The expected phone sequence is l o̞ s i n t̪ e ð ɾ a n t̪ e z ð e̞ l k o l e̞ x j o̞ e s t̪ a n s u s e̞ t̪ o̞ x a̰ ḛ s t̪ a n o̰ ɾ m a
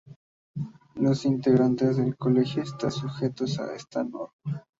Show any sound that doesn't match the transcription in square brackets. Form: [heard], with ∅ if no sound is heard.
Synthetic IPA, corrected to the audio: l o̞ s i n t̪ e [ɣ] ɾ a n t̪ e z ð e̞ l k o l e̞ x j o̞ e s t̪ a n s u [x] e̞ t̪ o̞ [s] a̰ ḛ s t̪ a n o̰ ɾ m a